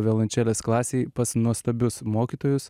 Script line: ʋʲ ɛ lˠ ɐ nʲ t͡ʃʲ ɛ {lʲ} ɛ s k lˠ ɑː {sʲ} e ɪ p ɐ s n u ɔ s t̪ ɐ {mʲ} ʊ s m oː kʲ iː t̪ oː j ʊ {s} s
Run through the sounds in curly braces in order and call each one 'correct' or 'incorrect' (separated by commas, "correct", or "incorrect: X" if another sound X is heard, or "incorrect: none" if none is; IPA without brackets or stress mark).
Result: correct, correct, incorrect: bʲ, correct